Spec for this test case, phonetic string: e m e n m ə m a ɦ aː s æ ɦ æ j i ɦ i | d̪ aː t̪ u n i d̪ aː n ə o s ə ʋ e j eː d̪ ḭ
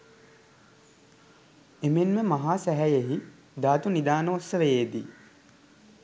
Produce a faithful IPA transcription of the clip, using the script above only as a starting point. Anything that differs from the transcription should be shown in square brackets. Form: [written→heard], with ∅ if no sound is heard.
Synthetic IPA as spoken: e m e n m ə m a ɦ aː s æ ɦ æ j [i→e] ɦ i | d̪ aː t̪ u n i d̪ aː n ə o s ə ʋ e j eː d̪ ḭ